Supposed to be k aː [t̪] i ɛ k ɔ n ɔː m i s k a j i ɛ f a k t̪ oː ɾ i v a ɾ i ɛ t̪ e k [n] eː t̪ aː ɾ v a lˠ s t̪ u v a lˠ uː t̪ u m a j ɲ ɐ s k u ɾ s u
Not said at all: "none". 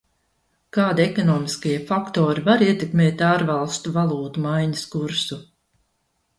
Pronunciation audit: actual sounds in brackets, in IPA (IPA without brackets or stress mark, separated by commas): d̪, m